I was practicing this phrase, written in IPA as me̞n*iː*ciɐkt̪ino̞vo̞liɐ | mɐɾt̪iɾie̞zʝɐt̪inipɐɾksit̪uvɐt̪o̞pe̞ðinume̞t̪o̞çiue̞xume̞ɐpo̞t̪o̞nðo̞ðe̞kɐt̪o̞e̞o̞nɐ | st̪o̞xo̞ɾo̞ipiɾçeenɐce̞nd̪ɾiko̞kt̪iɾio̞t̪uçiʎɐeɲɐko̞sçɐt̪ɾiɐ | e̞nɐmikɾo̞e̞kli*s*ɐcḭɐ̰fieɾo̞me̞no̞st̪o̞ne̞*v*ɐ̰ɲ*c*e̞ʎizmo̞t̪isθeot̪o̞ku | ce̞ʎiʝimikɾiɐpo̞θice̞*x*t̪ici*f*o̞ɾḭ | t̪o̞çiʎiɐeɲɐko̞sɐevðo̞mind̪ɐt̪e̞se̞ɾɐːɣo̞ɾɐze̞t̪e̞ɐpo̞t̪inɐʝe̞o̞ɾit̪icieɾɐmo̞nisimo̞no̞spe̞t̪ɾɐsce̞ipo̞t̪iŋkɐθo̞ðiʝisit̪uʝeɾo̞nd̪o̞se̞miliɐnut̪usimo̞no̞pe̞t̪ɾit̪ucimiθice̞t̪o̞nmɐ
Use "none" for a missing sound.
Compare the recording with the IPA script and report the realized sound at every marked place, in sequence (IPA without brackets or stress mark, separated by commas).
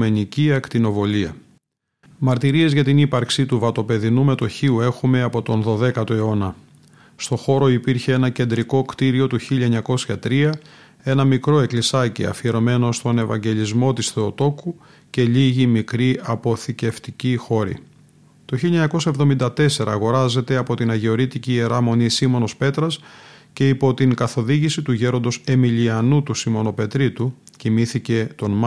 i, s, v, ɟ, f, x